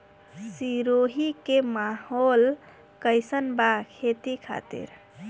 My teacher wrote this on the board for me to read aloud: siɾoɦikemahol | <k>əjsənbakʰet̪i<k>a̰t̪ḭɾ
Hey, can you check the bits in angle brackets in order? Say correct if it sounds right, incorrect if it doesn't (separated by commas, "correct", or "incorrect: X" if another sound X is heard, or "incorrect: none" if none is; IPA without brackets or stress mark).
correct, incorrect: kʰ